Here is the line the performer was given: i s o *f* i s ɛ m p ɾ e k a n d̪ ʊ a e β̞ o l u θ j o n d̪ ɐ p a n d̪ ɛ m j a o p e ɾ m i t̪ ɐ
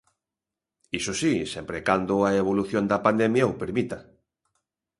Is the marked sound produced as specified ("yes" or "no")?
no